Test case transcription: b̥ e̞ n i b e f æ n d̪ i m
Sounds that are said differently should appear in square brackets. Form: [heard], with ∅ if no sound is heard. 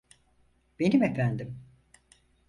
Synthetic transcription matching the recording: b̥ e̞ n i [m] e f æ n d̪ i m